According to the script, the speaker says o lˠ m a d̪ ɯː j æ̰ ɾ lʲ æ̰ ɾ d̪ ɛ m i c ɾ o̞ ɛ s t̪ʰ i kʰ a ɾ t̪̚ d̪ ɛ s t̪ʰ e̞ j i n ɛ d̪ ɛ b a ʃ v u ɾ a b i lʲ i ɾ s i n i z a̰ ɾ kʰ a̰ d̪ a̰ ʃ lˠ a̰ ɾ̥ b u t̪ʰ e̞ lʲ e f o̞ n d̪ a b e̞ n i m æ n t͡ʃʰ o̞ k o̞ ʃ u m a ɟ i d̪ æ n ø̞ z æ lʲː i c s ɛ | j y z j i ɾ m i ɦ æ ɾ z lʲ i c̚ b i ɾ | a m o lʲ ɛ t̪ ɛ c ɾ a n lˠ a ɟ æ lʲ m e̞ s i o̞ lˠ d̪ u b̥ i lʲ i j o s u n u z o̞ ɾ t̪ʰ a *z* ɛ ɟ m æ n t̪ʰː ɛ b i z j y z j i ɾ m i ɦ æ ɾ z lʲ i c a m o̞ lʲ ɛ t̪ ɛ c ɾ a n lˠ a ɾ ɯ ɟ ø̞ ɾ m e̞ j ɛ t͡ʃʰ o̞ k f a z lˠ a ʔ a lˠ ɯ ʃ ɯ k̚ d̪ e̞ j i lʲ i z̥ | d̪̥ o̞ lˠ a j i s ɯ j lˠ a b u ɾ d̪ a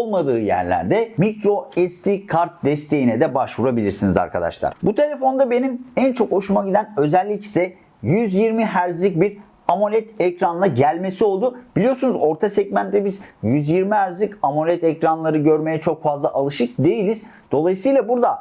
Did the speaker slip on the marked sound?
yes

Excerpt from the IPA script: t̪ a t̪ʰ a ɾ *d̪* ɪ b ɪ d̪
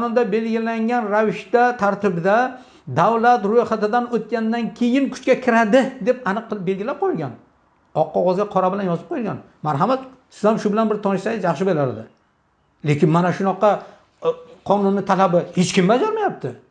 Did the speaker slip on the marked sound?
yes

